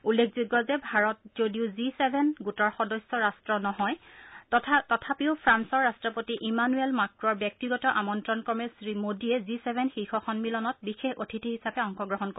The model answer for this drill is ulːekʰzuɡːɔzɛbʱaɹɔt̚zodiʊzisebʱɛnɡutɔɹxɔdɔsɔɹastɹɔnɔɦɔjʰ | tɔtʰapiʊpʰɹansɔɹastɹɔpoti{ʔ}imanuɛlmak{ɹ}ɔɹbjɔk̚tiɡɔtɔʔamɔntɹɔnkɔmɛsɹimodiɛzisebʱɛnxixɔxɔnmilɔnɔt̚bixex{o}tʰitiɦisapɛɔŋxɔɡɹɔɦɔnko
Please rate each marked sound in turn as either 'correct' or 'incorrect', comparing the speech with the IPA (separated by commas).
correct, correct, correct